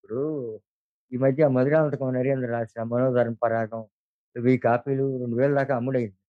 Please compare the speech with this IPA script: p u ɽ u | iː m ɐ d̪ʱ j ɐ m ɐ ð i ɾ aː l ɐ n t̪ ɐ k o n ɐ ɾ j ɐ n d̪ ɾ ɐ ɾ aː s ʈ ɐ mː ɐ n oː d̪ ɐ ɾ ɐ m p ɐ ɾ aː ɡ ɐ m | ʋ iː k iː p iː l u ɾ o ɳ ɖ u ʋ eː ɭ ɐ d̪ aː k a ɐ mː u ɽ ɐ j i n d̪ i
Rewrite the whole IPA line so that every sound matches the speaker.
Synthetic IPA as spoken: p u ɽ u | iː m ɐ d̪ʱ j ɐ m ɐ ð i ɾ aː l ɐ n t̪ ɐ k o n ɐ ɾ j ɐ n d̪ ɾ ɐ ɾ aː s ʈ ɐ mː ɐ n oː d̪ ɐ ɾ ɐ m p ɐ ɾ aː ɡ ɐ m | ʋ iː k aː p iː l u ɾ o ɳ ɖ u ʋ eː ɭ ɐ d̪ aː k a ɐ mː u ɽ ɐ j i n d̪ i